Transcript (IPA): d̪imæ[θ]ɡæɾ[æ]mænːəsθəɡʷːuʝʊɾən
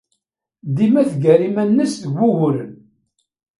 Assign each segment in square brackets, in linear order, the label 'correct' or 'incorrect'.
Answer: correct, incorrect: i

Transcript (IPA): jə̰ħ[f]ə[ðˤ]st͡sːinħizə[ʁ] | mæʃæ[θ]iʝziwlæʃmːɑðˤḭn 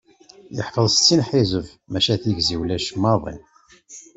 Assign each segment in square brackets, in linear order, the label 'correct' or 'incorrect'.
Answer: correct, correct, incorrect: v, correct

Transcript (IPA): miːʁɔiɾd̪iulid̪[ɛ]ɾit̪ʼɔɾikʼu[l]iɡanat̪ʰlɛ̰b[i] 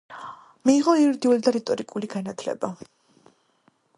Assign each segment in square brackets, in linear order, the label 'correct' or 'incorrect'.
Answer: incorrect: a, correct, incorrect: a

